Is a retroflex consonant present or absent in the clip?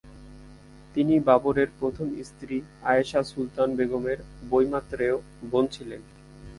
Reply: absent